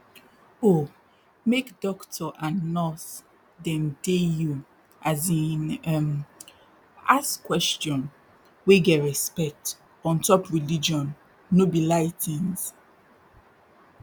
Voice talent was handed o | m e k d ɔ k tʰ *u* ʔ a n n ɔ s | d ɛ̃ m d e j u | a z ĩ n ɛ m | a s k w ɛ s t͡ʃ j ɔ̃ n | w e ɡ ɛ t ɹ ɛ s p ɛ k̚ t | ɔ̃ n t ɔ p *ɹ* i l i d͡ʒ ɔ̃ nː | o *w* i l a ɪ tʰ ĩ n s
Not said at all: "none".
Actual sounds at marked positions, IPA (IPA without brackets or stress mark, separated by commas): ɔ, ɹ, b